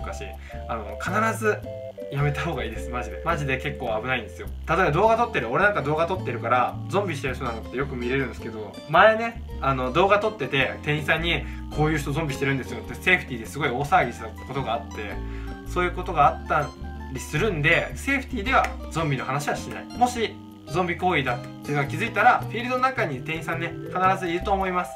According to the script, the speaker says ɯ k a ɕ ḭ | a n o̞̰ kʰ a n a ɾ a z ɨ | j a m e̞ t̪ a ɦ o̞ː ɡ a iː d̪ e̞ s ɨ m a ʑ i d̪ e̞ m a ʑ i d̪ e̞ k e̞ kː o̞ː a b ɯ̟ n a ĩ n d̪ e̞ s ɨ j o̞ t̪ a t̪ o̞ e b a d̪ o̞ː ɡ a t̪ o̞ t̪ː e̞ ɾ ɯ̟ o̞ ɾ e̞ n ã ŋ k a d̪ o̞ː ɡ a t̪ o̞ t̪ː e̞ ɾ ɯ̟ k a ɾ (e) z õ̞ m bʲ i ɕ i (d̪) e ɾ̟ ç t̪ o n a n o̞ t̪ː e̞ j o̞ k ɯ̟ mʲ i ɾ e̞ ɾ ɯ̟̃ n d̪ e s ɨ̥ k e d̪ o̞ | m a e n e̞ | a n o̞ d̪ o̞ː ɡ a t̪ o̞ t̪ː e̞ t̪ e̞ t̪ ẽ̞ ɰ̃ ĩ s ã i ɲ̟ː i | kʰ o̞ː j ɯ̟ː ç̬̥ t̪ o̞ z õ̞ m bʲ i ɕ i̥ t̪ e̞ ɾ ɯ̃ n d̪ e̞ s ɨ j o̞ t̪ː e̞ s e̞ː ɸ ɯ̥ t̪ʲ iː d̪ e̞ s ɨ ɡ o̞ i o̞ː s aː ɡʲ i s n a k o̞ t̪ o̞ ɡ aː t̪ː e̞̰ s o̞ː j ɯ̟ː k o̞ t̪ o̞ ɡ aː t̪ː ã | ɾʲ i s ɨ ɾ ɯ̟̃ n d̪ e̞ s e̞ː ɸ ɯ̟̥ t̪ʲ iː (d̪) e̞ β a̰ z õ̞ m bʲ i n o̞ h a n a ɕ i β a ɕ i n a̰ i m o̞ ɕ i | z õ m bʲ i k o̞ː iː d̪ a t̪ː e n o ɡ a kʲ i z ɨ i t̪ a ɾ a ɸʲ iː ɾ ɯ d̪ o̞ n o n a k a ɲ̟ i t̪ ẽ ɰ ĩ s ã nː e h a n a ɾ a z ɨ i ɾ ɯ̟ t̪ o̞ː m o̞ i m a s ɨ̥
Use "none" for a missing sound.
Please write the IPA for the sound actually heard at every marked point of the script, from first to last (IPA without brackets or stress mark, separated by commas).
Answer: a, t̪, d̪